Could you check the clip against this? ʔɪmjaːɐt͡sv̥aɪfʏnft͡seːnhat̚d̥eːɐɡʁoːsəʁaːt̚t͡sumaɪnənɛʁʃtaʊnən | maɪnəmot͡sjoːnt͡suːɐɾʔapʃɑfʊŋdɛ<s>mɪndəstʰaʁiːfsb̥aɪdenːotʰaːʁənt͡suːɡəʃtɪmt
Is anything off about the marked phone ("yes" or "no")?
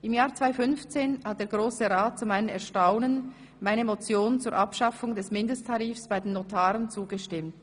no